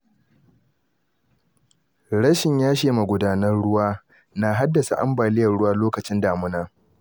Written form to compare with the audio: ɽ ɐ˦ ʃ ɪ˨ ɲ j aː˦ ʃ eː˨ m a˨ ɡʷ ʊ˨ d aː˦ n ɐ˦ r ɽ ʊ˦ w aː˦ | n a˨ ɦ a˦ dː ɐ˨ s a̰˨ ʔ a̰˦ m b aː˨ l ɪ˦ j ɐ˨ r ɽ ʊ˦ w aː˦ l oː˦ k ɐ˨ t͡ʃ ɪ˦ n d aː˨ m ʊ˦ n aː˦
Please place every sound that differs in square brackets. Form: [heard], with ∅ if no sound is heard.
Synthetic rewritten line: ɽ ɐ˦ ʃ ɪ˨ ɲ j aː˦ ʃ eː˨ m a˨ ɡʷ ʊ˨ d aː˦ n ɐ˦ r ɽ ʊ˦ w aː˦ | n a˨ ɦ a˦ dː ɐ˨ s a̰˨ ʔ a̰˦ m b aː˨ l ɪ˦ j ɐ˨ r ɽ ʊ˦ w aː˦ l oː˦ k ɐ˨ t͡ʃ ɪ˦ n d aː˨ m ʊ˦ n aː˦